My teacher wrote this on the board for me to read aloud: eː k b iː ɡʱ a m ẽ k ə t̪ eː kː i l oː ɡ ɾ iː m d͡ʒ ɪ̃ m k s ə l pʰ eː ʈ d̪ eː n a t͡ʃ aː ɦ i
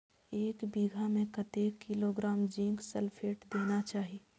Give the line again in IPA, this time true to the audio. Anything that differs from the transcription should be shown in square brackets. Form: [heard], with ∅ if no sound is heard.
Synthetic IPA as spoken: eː k b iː ɡʱ a m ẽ k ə t̪ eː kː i l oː ɡ ɾ [aː] m d͡ʒ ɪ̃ [ŋ] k s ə l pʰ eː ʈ d̪ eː n a t͡ʃ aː ɦ i